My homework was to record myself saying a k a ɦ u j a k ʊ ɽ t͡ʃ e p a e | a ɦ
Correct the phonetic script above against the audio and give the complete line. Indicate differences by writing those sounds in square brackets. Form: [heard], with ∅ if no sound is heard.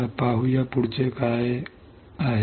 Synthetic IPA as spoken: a [p] a ɦ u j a [p] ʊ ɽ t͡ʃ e [k] a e | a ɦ